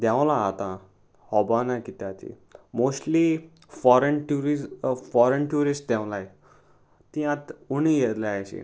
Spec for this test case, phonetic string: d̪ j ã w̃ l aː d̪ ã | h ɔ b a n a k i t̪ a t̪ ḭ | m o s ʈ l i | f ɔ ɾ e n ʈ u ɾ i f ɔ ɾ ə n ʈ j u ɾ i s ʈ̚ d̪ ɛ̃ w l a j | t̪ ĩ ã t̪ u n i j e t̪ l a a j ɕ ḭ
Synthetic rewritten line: d̪ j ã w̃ l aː t̪ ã | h ɔ b a n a k i t̪ a t̪ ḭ | m o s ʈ l i | f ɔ ɾ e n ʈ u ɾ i f ɔ ɾ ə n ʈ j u ɾ i s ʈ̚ d̪ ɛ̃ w l a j | t̪ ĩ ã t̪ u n i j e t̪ l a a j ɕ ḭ